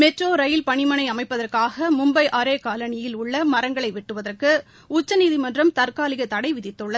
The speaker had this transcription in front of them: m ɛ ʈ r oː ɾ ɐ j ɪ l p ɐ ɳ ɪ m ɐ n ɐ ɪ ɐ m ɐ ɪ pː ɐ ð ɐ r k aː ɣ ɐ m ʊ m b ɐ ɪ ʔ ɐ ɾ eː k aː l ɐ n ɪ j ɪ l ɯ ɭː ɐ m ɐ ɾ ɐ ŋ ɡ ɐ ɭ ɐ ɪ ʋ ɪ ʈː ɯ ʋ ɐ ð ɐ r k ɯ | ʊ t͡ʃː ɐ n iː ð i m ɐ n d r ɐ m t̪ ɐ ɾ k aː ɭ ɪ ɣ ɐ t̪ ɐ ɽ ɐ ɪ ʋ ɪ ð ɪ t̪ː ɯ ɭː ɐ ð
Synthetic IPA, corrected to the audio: m ɛ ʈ r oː ɾ ɐ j ɪ l p ɐ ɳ ɪ m ɐ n ɐ ɪ ɐ m ɐ ɪ pː ɐ ð ɐ r k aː ɣ ɐ m ʊ m b ɐ ɪ ʔ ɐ ɾ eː k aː l ɐ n ɪ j ɪ l ʊ ɭː ɐ m ɐ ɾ ɐ ŋ ɡ ɐ ɭ ɐ ɪ ʋ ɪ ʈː ɯ ʋ ɐ ð ɐ r k ɯ | ʊ t͡ʃː ɐ n iː ð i m ɐ n d r ɐ m t̪ ɐ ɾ k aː l ɪ ɣ ɐ t̪ ɐ ɽ ɐ ɪ ʋ ɪ ð ɪ t̪ː ɯ ɭː ɐ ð